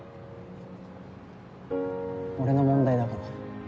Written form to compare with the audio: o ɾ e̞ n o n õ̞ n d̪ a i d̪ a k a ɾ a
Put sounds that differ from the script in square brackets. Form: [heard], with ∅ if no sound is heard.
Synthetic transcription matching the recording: o ɾ e̞ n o [m] õ̞ n d̪ a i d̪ a k a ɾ a